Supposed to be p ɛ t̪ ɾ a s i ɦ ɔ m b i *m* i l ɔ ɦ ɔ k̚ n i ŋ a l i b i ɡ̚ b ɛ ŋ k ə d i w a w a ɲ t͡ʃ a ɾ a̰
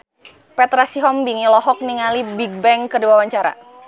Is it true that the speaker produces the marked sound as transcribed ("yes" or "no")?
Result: no